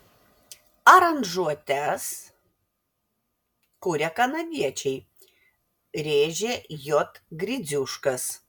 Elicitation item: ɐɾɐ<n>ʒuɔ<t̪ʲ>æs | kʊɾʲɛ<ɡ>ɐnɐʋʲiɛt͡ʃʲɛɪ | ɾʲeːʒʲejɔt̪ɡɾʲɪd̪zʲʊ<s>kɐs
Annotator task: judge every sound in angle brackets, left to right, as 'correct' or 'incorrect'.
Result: correct, correct, incorrect: k, incorrect: ʃ

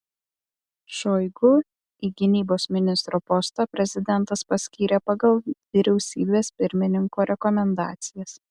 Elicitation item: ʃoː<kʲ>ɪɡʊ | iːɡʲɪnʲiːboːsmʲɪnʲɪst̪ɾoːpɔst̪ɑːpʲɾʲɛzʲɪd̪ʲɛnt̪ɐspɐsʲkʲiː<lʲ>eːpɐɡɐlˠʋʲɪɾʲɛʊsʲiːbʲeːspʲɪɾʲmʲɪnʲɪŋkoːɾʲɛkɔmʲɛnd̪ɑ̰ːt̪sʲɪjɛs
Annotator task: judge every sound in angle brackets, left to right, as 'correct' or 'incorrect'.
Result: incorrect: none, incorrect: ɾʲ

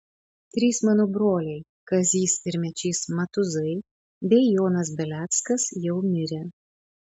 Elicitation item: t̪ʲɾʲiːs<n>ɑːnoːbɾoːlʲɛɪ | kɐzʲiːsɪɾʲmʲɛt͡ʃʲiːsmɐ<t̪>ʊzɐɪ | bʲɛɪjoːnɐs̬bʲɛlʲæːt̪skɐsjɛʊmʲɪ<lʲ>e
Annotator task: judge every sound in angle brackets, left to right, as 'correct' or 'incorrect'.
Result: incorrect: m, correct, incorrect: ɾʲ

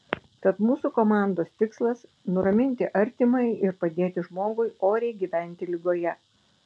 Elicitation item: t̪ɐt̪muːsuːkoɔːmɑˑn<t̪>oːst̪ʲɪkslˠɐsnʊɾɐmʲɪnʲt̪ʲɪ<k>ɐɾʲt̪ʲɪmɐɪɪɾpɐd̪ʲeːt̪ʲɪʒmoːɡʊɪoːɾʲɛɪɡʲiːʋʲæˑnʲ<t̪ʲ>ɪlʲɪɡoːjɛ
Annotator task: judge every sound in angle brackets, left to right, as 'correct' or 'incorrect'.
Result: incorrect: d̪, incorrect: ʔ, correct

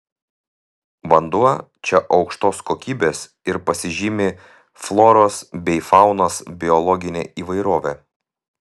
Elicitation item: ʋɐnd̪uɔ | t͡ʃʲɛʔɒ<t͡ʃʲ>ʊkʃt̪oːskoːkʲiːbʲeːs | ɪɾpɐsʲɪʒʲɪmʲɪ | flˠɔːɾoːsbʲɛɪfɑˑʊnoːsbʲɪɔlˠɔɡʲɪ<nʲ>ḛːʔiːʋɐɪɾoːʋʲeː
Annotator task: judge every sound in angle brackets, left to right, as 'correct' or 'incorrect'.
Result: incorrect: none, correct

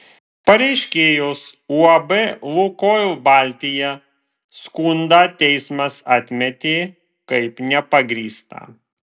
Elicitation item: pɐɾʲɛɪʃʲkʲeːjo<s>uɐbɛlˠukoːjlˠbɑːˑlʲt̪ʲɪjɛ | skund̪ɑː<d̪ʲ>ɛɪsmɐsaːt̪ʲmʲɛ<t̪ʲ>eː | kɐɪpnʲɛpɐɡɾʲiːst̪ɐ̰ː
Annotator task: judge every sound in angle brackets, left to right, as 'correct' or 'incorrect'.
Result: correct, incorrect: t̪ʲ, correct

